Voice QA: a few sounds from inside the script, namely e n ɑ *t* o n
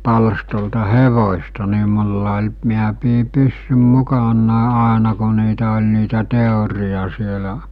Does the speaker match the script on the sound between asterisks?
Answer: no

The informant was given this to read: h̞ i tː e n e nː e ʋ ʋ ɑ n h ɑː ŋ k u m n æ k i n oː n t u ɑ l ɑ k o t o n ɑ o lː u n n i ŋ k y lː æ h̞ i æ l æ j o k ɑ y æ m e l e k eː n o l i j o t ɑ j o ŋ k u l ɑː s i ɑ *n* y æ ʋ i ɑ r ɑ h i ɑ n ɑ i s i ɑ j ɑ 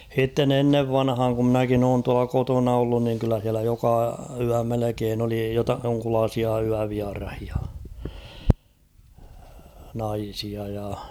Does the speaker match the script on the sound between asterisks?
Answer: no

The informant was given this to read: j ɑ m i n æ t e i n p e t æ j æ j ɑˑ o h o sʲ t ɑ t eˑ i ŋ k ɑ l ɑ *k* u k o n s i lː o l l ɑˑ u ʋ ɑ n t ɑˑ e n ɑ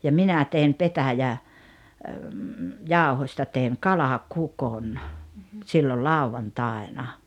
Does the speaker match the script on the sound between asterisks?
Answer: yes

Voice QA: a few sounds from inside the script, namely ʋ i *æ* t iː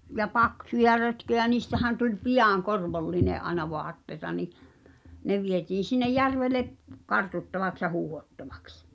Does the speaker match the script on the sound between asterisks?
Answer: no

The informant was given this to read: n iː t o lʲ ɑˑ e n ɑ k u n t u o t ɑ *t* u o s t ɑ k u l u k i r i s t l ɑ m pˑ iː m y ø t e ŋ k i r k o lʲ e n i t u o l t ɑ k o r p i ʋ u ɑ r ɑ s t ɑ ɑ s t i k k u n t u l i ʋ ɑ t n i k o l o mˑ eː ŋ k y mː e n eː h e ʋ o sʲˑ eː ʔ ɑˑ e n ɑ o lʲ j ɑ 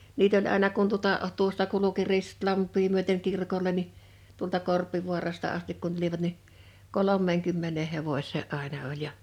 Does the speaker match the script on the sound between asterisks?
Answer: yes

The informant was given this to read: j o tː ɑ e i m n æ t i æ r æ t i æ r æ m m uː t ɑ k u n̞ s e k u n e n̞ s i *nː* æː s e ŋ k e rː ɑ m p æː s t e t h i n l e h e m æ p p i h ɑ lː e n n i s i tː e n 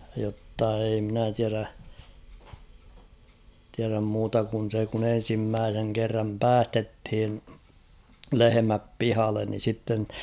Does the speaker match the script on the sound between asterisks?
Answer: no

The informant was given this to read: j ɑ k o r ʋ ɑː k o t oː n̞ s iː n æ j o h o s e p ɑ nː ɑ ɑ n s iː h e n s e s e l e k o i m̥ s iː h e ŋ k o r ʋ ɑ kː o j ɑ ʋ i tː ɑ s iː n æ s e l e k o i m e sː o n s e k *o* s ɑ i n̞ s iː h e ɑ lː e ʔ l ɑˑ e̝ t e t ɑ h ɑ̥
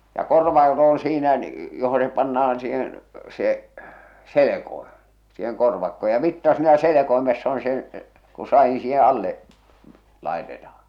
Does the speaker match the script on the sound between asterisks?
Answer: no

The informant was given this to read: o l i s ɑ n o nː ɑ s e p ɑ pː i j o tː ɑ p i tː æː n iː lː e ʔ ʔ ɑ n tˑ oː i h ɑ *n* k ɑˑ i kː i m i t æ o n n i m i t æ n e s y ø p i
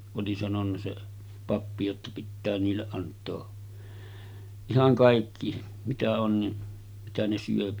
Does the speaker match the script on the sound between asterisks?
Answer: no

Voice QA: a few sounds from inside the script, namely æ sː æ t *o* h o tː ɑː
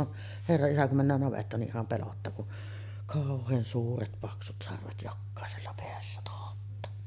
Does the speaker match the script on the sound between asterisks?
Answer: yes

